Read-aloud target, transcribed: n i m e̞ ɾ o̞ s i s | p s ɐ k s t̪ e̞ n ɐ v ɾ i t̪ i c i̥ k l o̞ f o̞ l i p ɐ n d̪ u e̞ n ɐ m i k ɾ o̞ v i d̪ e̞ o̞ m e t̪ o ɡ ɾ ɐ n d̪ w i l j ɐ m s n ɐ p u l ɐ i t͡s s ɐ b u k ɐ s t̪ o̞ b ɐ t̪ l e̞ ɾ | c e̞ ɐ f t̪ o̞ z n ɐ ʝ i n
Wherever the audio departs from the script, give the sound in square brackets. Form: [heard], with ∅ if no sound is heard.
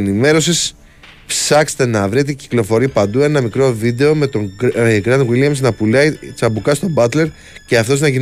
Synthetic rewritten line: n i m e̞ ɾ o̞ s i s | p s ɐ k s t̪ e̞ n ɐ v ɾ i t̪ i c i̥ k l o̞ f o̞ [ɾ] i p ɐ n d̪ u e̞ n ɐ m i k ɾ o̞ v i d̪ e̞ o̞ m e t̪ o ɡ ɾ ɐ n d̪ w i l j ɐ m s n ɐ p u l ɐ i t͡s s ɐ b u k ɐ s t̪ o̞ b ɐ t̪ l e̞ ɾ | c e̞ ɐ f t̪ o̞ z n ɐ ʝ i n